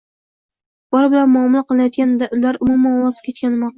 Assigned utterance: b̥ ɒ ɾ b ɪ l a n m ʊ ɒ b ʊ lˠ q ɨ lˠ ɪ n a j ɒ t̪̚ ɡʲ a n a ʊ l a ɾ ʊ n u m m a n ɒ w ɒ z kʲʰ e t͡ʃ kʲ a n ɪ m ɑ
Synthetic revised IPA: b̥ ɒ ɾ b ɪ l a n m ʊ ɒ m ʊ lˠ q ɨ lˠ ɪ n a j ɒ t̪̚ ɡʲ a n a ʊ l a ɾ ʊ m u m m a n ɒ w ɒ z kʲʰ e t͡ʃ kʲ a n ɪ m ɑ